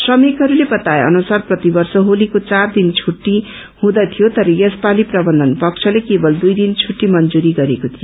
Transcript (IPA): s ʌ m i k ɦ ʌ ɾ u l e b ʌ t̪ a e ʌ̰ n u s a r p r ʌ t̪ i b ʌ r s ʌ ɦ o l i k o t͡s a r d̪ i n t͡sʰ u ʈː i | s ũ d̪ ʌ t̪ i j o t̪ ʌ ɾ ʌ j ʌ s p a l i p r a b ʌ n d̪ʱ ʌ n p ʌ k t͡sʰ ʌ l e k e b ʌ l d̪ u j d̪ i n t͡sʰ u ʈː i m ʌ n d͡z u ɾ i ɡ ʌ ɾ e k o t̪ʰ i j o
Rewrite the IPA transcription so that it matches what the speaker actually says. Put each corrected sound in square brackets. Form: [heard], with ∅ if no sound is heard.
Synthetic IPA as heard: s ʌ m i k ɦ ʌ ɾ u l e b ʌ t̪ a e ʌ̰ n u s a r p r ʌ t̪ i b ʌ r s ʌ ɦ o l i k o t͡s a r d̪ i n t͡sʰ u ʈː i | [h] ũ d̪ ʌ [t̪ʰ] i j o t̪ ʌ ɾ ʌ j ʌ s p a l i p r [ʌ] b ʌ n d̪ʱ ʌ n p ʌ k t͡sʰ ʌ l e k e b ʌ l d̪ u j d̪ i n t͡sʰ u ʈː i m ʌ n d͡z u ɾ i ɡ ʌ ɾ e k o t̪ʰ i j o